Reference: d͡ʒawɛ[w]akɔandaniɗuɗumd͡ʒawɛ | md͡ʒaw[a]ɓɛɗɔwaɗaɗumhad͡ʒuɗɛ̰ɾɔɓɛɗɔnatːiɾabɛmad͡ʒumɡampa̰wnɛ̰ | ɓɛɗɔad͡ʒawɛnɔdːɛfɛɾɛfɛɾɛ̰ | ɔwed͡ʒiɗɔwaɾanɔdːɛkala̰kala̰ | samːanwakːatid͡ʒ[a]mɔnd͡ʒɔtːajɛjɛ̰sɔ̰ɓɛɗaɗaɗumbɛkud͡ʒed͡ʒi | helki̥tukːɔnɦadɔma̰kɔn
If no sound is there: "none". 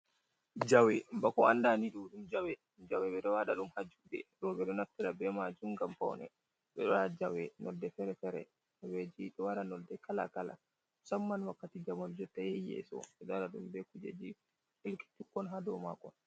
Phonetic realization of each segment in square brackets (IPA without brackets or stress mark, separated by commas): b, ɛ, a